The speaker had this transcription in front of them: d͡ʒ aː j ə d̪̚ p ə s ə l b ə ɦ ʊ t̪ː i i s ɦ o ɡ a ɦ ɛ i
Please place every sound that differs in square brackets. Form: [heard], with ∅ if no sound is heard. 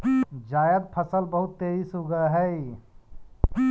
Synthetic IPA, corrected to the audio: d͡ʒ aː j ə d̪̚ [pʰ] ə s ə l b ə ɦ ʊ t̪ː [e] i s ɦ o ɡ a ɦ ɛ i